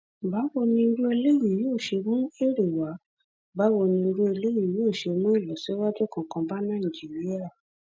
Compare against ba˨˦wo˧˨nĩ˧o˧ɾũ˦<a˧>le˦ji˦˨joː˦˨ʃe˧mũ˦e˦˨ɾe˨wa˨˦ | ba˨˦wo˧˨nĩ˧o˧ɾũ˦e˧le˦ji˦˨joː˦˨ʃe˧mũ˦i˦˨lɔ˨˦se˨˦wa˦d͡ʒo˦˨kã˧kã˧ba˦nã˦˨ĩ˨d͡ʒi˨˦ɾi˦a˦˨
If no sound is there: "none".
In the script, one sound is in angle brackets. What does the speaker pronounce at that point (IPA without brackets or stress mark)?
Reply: e˧